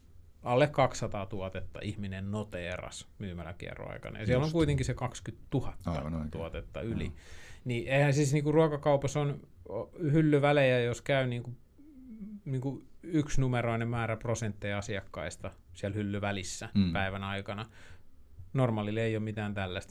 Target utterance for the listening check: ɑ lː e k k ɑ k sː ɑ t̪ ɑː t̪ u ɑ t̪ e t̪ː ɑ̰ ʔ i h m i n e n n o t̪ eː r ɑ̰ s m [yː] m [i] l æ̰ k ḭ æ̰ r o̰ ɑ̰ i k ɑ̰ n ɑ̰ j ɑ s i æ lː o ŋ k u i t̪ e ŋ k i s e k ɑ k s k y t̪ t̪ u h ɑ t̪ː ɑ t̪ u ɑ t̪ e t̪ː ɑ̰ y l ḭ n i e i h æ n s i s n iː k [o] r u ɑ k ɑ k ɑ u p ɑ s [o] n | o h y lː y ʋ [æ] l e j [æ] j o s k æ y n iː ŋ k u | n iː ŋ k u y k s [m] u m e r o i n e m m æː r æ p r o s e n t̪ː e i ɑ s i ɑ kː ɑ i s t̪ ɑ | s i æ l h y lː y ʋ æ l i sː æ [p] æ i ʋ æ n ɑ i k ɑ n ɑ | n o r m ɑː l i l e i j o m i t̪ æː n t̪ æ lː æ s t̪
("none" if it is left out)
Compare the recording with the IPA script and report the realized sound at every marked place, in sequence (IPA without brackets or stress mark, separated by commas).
yː, æ, u, o, æ, æ, n, p